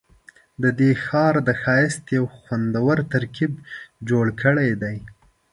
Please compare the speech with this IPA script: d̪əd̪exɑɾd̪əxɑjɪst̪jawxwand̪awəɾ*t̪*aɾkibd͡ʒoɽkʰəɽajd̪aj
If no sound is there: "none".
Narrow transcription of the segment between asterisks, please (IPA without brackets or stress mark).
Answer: t̪